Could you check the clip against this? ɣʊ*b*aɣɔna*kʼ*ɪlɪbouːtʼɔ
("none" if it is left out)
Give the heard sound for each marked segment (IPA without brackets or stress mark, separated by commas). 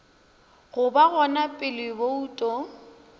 b, pʼ